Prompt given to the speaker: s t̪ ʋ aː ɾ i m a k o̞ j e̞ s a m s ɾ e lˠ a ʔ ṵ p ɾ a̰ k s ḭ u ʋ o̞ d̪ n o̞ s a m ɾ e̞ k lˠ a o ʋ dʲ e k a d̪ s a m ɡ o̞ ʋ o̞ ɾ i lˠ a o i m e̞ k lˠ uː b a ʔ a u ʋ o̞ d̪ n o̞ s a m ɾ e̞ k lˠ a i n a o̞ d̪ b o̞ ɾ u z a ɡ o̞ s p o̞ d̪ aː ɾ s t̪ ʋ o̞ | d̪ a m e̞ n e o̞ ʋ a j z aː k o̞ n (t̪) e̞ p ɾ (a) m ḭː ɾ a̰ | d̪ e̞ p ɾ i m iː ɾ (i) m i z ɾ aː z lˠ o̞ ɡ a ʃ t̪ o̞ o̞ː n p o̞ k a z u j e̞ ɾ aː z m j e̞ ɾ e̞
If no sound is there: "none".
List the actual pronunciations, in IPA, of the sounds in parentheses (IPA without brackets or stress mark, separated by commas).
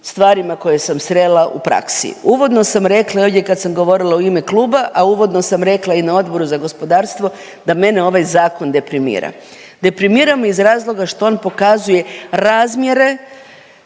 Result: d̪, i, a